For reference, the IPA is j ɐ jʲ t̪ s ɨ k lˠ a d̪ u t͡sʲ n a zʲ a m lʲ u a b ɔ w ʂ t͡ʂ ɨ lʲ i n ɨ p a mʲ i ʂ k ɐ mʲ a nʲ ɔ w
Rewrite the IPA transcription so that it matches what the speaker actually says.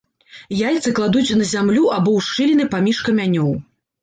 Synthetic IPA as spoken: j a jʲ t̪ s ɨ k lˠ a d̪ u t͡sʲ n ɐ zʲ a m lʲ u a b ɔ w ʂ t͡ʂ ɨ lʲ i n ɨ p a mʲ i ʂ k ɐ mʲ a nʲ ɔ w